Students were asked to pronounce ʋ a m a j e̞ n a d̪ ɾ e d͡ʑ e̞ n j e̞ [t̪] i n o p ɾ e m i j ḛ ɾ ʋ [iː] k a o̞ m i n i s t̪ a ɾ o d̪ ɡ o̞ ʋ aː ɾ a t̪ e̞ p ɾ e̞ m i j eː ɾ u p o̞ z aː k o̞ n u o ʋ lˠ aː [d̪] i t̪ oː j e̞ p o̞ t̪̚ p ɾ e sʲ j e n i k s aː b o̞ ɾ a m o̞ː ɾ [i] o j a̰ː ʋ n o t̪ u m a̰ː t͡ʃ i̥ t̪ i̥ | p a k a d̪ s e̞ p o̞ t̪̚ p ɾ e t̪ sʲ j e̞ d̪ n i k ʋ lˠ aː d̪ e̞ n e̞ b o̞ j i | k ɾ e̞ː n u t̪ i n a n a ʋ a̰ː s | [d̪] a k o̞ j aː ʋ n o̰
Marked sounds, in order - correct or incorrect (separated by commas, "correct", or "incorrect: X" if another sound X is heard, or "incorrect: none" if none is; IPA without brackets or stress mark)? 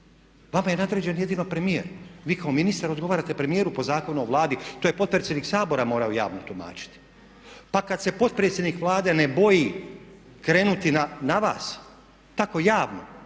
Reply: incorrect: d̪, correct, correct, incorrect: a, incorrect: t̪